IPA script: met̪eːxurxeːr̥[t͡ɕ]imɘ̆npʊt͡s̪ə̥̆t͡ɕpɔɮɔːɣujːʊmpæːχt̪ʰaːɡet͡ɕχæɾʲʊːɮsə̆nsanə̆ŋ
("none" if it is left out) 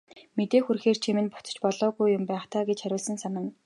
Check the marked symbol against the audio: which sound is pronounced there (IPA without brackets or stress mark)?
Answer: t͡ɕʰ